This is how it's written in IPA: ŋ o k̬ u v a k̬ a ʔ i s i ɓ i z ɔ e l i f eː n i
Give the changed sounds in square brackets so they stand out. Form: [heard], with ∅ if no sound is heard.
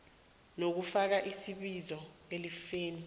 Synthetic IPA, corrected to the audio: [n] o k̬ u [f] a k̬ a ʔ i s i ɓ i z ɔ e l i f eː n i